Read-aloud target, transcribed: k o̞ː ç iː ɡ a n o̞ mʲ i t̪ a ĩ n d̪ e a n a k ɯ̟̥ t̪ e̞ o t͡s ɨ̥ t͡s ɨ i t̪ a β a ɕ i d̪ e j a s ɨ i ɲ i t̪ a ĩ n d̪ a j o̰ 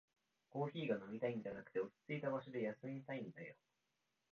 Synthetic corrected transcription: k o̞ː ç iː ɡ a n o̞ mʲ i t̪ a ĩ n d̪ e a n a k ɯ̟̥ t̪ e̞ o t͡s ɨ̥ t͡s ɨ i t̪ a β a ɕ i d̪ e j a s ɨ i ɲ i t̪ a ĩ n d̪ a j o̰